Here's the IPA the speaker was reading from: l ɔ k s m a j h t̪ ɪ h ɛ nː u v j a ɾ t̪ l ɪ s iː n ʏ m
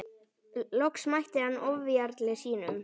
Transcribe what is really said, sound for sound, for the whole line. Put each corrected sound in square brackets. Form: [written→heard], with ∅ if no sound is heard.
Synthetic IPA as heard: l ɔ k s m a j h t̪ ɪ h [ɛ→a] nː [u→ɔ] v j a ɾ t̪ l ɪ s iː n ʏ m